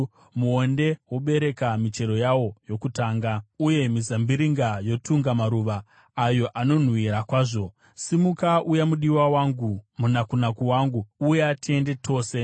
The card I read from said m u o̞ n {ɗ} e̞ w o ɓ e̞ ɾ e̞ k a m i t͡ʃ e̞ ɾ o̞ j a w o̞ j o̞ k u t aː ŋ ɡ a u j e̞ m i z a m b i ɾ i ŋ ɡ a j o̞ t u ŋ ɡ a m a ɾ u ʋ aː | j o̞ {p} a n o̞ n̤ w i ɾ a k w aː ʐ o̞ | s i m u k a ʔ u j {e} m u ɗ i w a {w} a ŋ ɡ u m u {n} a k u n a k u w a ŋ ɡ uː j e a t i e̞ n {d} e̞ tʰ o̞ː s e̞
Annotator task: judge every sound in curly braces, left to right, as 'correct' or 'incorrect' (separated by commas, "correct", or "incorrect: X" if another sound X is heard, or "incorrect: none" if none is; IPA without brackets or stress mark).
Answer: incorrect: d, incorrect: ʔ, incorrect: a, correct, correct, correct